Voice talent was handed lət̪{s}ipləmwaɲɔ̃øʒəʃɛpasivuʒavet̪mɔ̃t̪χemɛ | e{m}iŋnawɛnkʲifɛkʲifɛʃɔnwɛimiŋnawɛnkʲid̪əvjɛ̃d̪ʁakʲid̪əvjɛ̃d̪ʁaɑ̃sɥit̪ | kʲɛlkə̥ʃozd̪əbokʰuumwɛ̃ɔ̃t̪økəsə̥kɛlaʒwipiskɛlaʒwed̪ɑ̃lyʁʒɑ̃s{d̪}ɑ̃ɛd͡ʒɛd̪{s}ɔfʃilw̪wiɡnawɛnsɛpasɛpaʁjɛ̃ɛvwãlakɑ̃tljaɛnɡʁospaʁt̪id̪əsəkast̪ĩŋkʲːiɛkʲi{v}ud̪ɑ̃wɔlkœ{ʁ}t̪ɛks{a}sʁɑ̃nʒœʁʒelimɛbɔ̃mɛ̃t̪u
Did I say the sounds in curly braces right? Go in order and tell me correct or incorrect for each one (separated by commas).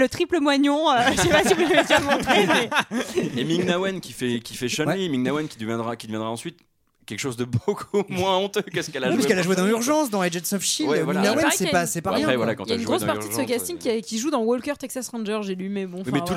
incorrect, correct, correct, correct, incorrect, correct, correct